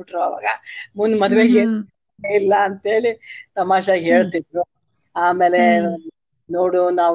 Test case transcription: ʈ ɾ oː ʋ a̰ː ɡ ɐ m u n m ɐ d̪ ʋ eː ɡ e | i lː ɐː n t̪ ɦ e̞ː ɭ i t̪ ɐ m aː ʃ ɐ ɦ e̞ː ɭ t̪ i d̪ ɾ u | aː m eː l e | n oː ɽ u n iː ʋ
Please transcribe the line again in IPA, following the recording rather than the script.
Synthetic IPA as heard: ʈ ɾ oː ʋ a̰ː ɡ ɐ m u n m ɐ d̪ ʋ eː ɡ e | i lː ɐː n t̪ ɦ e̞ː ɭ i t̪ ɐ m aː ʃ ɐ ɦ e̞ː ɭ t̪ i d̪ ɾ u | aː m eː l e | n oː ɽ u n aː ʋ